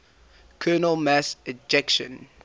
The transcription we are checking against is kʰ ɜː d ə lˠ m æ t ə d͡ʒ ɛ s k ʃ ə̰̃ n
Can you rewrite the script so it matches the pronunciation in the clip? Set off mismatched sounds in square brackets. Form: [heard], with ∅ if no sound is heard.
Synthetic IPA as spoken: kʰ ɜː [n] ə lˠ m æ [s] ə d͡ʒ ɛ [∅] k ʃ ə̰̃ n